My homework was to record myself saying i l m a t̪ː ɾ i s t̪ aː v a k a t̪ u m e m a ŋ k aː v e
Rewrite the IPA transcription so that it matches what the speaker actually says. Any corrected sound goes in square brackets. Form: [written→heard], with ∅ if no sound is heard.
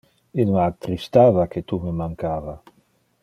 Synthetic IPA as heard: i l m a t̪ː ɾ i s t̪ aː v a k [a→e] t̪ u m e m a ŋ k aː v [e→a]